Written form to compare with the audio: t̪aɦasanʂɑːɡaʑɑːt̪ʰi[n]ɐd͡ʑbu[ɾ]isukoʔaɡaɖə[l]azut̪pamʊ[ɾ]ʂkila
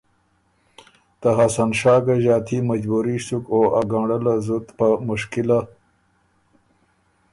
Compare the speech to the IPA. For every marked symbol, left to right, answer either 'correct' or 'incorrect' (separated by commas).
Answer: incorrect, correct, correct, incorrect